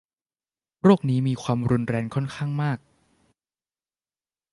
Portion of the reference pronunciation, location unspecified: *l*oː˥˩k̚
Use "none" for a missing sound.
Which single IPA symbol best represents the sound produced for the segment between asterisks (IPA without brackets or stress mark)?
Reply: ɾ